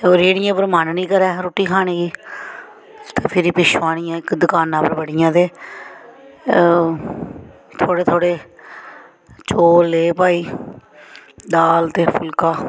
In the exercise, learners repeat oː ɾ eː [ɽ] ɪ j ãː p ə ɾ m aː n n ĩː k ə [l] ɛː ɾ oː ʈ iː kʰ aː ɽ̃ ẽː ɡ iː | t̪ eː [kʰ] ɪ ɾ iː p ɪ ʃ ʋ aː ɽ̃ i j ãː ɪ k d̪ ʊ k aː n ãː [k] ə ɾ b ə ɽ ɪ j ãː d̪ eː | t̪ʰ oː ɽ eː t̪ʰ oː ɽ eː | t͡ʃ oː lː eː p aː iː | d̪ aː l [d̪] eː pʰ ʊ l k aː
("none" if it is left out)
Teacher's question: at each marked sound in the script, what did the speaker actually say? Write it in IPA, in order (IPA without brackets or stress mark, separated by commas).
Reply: ɽ, ɾ, pʰ, p, t̪